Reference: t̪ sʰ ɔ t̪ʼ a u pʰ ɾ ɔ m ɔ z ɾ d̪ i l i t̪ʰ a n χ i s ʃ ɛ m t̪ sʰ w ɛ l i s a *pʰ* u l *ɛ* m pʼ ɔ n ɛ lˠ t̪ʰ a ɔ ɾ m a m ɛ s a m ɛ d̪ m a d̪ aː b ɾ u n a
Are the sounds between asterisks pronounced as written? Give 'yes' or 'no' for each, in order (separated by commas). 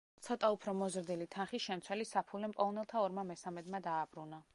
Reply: yes, yes